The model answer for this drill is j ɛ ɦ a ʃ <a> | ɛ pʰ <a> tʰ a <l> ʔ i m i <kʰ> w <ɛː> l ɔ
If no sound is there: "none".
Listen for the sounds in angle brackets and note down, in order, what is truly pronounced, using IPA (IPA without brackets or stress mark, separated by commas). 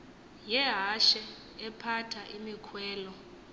ɛ, a, none, kʰ, ɛː